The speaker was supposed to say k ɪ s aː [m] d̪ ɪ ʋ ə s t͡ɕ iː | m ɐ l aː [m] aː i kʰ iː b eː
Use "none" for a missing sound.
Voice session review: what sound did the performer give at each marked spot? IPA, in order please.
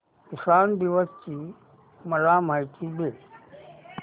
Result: n, m

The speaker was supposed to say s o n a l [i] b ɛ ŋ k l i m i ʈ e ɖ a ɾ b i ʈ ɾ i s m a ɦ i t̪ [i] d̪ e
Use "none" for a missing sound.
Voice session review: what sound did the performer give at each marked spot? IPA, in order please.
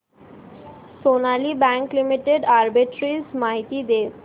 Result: i, i

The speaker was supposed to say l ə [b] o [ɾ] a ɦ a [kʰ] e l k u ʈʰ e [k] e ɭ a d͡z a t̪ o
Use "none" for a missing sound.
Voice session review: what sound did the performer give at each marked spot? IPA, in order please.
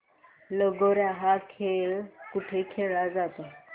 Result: ɡ, ɾ, kʰ, kʰ

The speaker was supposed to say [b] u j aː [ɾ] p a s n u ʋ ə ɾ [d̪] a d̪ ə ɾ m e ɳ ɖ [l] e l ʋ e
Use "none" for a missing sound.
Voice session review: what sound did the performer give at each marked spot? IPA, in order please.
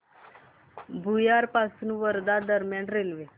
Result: b, ɾ, d̪, ɾ

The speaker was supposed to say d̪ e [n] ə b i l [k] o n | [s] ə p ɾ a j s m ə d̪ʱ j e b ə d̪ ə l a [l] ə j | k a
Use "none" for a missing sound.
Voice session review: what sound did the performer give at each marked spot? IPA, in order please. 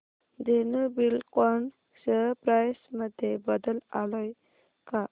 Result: n, k, s, l

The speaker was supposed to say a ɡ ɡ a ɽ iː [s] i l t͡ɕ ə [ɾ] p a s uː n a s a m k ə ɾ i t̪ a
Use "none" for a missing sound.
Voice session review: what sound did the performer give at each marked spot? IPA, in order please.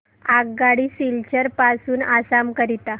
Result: s, ɾ

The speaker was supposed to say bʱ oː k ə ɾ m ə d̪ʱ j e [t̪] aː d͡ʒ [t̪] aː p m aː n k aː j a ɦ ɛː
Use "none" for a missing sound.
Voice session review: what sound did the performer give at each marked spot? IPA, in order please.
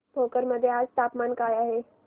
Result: none, t̪

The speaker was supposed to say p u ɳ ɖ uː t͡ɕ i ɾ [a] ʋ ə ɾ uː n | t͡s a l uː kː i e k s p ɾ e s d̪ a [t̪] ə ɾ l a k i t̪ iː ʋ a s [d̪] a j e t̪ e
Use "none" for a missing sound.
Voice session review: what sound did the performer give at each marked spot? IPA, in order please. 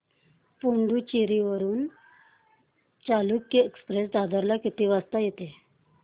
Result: i, d̪, t̪

